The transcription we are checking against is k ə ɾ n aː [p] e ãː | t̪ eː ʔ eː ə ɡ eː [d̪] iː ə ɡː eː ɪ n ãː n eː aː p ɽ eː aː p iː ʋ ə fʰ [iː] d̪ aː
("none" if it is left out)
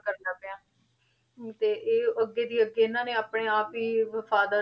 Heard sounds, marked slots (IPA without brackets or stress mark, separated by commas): p, d̪, aː